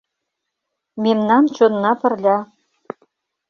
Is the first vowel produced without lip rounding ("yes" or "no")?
yes